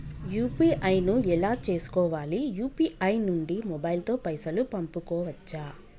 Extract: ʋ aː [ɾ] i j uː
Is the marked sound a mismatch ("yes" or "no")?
yes